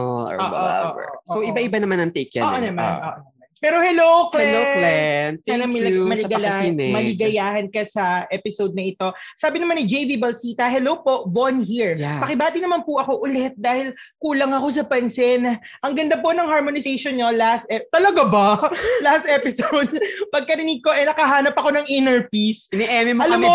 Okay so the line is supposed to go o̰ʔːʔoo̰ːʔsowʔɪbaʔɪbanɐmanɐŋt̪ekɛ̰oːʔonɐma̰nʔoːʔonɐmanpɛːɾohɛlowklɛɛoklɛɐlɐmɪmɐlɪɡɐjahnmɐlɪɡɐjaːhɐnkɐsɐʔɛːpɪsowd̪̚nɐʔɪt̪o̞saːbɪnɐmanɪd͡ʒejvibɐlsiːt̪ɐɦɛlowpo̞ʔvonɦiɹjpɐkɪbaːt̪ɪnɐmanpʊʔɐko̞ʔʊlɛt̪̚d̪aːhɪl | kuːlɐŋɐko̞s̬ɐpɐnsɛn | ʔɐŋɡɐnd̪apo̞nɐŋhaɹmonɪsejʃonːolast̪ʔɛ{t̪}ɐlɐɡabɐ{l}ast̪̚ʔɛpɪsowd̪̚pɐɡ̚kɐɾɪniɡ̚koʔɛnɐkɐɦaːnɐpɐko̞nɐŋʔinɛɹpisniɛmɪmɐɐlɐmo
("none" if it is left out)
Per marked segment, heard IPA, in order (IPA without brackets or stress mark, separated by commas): t̪, l